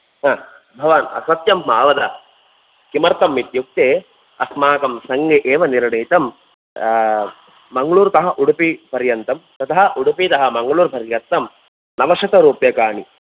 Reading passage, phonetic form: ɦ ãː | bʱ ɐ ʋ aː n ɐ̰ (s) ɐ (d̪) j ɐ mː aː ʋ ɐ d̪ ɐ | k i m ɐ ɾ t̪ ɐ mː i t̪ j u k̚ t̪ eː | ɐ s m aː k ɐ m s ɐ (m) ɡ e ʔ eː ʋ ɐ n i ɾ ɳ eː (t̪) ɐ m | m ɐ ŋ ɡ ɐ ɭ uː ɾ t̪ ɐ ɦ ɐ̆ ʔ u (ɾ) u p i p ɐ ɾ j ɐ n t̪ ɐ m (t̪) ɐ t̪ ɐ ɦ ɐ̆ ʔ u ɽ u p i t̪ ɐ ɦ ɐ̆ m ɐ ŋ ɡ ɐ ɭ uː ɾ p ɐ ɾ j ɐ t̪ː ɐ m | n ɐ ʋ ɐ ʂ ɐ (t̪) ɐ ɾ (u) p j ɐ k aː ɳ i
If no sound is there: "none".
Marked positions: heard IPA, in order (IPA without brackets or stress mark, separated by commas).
s, t̪, ŋ, t̪, ɽ, t̪, t̪, uː